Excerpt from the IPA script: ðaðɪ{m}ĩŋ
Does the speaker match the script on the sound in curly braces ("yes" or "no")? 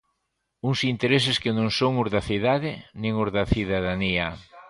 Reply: no